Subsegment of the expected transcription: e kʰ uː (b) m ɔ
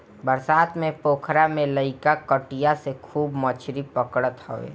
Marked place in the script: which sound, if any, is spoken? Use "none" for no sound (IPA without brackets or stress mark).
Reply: b